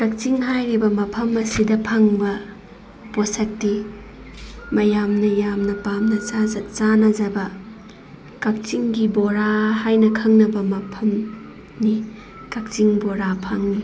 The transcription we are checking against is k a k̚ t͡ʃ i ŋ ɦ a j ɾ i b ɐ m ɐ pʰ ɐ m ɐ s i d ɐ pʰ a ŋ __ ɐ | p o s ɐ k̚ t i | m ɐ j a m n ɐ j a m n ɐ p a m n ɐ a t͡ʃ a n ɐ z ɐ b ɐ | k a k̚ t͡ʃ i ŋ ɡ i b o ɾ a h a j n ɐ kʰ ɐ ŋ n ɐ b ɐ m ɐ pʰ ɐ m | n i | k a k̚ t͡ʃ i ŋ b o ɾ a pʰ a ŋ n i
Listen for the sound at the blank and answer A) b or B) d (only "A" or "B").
A